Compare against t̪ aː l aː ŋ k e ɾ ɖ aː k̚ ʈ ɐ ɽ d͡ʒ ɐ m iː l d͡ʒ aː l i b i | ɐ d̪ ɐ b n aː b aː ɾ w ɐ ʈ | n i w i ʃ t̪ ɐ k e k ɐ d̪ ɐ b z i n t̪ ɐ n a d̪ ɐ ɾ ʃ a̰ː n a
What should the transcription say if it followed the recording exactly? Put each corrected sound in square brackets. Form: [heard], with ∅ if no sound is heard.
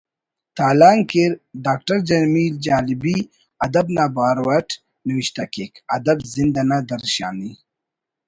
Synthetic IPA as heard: t̪ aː l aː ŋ k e ɾ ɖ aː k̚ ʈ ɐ [ɾ] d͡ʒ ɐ m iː l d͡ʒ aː l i b i | ɐ d̪ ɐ b n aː b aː ɾ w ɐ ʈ | n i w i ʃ t̪ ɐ k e k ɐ d̪ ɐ b z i n [d̪] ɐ n a d̪ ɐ ɾ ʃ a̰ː n [i]